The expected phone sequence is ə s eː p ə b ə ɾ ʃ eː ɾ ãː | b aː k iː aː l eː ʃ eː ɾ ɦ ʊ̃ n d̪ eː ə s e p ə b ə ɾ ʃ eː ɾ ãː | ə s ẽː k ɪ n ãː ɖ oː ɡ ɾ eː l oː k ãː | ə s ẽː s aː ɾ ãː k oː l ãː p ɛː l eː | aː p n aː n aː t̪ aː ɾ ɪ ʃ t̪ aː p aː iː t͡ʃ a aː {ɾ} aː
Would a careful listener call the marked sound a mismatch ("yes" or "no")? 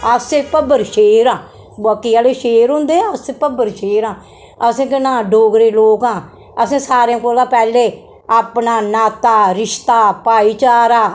no